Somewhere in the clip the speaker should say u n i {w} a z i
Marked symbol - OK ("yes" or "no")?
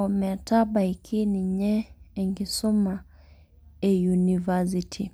no